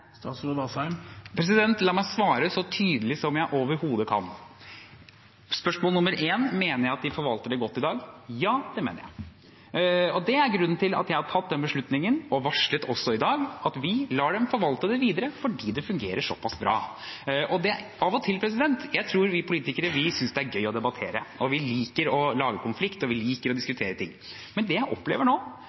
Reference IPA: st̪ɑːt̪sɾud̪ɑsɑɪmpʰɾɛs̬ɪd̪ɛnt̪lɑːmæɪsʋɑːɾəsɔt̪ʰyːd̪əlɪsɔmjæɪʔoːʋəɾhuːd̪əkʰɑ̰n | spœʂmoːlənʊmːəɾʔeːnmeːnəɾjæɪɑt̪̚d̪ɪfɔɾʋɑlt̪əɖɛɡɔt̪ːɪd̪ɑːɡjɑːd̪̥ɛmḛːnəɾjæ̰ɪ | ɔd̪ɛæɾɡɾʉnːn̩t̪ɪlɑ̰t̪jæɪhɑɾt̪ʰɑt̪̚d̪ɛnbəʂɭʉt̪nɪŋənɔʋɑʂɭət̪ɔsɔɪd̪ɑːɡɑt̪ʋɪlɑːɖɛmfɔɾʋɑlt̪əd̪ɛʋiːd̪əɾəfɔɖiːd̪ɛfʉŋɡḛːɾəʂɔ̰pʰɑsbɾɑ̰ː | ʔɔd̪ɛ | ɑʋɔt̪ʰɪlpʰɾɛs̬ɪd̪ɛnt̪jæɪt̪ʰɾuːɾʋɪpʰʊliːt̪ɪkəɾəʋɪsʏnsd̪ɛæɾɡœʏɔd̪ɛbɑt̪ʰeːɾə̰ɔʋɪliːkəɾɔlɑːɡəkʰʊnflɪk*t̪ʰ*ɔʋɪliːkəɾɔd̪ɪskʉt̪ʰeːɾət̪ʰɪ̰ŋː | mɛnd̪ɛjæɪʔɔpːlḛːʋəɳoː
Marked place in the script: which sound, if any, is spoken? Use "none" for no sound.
t̪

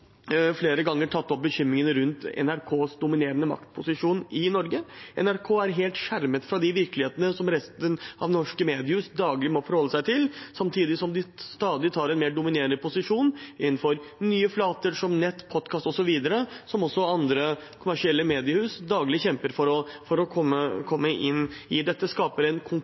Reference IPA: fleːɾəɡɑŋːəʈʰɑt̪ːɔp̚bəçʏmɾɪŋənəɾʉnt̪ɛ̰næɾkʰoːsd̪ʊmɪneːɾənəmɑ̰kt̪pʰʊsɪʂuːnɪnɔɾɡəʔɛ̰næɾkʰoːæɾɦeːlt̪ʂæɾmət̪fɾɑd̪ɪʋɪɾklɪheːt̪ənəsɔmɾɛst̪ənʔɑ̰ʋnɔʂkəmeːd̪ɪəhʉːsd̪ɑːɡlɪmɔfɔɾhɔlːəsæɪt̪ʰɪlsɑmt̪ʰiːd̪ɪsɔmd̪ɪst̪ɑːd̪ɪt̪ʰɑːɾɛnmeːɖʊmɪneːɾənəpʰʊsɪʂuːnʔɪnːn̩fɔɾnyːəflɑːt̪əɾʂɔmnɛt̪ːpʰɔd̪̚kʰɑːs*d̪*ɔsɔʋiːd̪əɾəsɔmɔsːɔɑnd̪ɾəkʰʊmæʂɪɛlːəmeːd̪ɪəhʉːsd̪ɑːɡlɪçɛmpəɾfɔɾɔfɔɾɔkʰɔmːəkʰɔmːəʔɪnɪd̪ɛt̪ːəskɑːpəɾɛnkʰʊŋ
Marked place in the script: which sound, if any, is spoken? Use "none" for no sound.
t̪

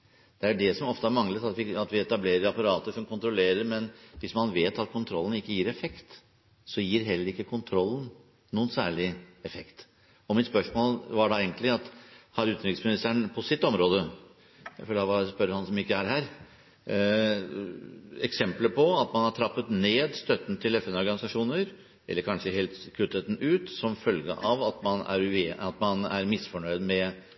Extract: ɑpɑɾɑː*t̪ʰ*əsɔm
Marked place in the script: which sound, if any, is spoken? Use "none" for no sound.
t̪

